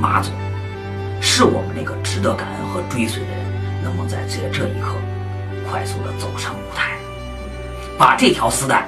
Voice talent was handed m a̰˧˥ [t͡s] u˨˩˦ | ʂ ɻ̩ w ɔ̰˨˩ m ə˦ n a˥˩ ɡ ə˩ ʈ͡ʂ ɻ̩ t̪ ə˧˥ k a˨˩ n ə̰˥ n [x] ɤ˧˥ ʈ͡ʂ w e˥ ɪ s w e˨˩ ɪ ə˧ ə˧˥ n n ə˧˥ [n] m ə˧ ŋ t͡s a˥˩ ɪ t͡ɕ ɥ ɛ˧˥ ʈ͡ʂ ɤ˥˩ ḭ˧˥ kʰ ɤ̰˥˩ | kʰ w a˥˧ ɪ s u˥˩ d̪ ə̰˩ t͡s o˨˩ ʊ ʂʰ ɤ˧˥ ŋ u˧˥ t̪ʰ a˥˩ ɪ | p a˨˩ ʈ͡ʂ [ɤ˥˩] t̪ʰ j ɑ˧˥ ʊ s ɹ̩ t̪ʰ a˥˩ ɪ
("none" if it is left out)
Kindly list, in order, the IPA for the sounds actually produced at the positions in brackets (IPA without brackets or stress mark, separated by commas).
t͡s, x, ŋ, ɤ˥˩